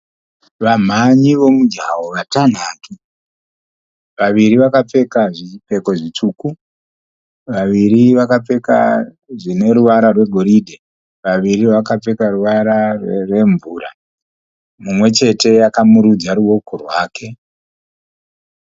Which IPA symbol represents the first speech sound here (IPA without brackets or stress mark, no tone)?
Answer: ʋ